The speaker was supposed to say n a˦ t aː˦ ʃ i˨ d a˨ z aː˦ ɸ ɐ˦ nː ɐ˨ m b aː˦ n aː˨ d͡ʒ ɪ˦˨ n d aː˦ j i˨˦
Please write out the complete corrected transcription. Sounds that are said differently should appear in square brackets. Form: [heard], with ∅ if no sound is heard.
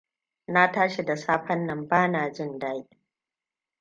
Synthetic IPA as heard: n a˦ t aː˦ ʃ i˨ d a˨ [s] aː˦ ɸ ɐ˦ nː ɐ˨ m b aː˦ n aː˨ d͡ʒ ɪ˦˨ n d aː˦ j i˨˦